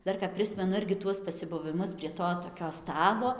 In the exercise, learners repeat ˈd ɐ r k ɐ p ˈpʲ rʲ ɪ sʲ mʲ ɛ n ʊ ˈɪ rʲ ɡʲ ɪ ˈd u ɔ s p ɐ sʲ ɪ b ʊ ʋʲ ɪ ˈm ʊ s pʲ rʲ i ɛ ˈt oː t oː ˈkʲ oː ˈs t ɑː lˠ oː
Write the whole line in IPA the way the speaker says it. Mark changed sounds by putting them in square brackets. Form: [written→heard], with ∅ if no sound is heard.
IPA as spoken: ˈd ɐ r k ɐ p ˈpʲ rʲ ɪ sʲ mʲ ɛ n ʊ ˈɪ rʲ ɡʲ ɪ [ˈd→ˈt] u ɔ s p ɐ sʲ ɪ b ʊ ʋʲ ɪ ˈm ʊ s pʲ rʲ i ɛ ˈt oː t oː ˈkʲ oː ˈs t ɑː lˠ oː